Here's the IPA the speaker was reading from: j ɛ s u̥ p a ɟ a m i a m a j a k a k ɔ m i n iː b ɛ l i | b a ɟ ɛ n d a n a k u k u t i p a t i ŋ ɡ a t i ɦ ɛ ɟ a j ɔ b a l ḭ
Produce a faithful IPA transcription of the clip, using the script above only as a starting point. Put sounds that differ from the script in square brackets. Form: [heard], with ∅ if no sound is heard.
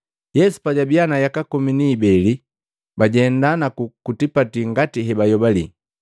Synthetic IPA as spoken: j ɛ s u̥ p a ɟ a [b] i a [n] a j a k a k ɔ m i n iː b ɛ l i | b a ɟ ɛ n d a n a k u k u t i p a t i ŋ ɡ a t i ɦ ɛ [b] a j ɔ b a l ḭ